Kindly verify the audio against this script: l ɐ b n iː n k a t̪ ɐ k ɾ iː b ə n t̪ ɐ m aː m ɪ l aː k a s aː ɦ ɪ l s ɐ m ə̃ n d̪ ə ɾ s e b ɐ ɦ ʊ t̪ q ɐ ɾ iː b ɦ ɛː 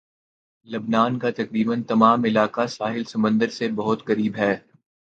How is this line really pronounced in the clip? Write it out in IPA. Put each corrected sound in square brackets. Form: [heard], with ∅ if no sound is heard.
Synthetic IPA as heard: l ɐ b n [aː] n k a t̪ ɐ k ɾ iː b ə n t̪ ɐ m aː m ɪ l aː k a s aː ɦ ɪ l s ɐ m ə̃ n d̪ ə ɾ s e b ɐ ɦ ʊ t̪ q ɐ ɾ iː b ɦ ɛː